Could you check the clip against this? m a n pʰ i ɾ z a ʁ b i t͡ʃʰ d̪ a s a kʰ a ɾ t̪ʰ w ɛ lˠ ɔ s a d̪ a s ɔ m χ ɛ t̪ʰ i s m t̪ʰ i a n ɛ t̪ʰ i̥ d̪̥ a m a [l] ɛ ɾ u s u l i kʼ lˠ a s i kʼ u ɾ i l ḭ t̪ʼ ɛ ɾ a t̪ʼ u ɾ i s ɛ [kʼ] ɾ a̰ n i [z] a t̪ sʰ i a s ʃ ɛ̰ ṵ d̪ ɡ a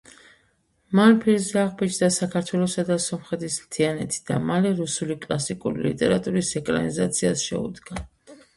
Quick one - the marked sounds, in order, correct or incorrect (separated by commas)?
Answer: correct, correct, correct